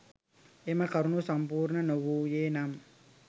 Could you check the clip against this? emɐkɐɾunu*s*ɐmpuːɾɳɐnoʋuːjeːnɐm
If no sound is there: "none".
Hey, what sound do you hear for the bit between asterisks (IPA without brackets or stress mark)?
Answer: s